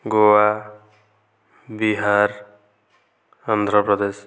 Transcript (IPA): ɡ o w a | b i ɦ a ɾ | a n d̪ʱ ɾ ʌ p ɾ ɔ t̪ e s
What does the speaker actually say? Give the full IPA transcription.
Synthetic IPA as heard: ɡ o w a | b i ɦ a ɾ | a n d̪ʱ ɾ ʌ p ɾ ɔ d̪ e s